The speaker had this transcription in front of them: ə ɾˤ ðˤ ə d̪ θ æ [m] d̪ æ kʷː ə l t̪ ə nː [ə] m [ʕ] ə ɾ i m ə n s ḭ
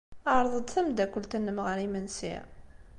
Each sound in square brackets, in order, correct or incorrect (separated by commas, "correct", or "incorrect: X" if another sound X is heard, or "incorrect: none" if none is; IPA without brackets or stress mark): correct, correct, incorrect: ʁ